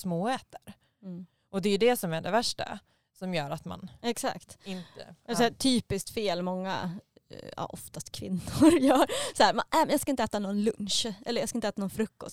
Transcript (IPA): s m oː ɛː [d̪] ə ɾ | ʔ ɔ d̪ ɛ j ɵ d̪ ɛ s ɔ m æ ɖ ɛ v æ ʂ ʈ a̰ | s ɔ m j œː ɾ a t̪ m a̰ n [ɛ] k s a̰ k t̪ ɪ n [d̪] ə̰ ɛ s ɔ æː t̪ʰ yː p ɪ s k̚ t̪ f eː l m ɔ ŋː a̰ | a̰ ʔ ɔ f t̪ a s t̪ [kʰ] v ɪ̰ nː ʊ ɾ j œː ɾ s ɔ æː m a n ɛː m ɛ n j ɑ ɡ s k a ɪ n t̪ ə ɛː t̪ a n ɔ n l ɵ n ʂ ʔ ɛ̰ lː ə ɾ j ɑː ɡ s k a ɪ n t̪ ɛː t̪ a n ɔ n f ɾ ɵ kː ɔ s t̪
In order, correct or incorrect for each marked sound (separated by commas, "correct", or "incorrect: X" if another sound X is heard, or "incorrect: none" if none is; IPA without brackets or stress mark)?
incorrect: t̪, correct, incorrect: t̪, correct